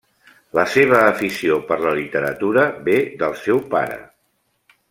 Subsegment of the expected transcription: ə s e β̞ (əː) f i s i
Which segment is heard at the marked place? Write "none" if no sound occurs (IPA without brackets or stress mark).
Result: əː